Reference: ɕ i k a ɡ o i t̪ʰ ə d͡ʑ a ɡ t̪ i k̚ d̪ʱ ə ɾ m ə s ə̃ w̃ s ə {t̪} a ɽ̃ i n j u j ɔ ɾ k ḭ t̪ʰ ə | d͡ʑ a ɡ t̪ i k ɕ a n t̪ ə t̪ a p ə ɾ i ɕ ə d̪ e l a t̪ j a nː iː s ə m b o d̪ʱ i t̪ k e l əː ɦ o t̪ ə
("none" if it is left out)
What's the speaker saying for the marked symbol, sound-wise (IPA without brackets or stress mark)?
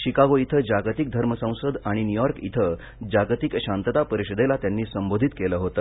d̪